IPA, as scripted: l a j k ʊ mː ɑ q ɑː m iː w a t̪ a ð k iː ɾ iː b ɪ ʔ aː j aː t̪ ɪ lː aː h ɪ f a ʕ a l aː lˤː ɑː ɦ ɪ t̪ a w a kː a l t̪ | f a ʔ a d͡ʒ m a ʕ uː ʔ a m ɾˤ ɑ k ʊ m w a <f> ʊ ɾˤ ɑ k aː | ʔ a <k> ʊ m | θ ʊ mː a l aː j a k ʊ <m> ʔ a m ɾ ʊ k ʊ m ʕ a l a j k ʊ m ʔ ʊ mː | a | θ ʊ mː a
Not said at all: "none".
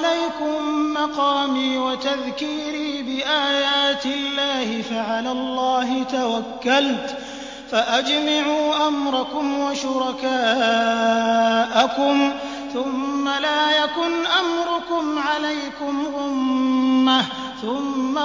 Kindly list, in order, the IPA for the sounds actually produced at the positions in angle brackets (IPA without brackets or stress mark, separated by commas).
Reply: ʃ, k, n